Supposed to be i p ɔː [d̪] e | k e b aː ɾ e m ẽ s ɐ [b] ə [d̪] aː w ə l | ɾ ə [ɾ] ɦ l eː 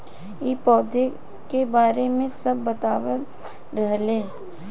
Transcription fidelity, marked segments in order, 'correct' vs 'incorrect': correct, incorrect: bː, incorrect: t̪, incorrect: none

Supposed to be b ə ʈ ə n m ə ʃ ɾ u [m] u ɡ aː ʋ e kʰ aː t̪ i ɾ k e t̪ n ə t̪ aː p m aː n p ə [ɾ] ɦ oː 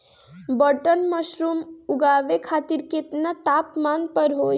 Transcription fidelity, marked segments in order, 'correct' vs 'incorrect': correct, correct

